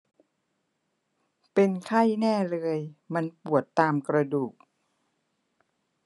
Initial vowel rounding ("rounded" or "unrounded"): unrounded